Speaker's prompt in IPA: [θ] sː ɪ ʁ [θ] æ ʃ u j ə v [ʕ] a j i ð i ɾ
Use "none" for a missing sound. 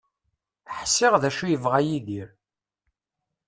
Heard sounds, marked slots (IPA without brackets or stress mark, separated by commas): ħ, ð, ʁ